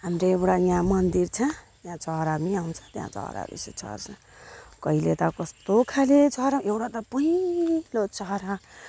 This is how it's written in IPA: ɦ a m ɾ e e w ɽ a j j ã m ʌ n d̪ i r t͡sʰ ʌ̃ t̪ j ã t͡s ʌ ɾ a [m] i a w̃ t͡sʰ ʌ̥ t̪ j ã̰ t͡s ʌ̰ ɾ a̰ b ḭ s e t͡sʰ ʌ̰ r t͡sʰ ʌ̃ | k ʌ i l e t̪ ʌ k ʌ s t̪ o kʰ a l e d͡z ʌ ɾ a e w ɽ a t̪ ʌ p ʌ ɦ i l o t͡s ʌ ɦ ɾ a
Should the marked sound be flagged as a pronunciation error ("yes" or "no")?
no